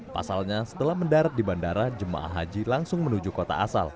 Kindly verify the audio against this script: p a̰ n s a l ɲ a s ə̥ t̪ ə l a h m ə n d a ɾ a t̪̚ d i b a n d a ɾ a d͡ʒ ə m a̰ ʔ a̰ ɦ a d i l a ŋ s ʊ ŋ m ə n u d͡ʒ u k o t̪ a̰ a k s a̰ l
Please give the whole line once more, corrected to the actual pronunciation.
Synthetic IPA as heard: p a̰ s a l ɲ a s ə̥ t̪ ə l a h m ə n d a ɾ a t̪̚ d i b a n d a ɾ a d͡ʒ ə m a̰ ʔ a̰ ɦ a d͡ʒ i l a ŋ s ʊ ŋ m ə n u d͡ʒ u k o t̪ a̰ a s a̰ l